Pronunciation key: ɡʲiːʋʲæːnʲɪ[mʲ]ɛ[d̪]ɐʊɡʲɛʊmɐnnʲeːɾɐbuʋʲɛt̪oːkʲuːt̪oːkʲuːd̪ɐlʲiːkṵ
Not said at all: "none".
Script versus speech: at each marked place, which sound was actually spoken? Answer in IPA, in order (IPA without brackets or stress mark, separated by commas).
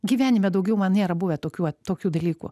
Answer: mʲ, d̪